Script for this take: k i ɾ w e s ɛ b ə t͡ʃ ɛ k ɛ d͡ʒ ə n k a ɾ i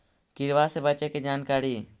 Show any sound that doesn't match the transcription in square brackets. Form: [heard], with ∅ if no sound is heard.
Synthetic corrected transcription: k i ɾ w [a] s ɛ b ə t͡ʃ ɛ k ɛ d͡ʒ [a] n k a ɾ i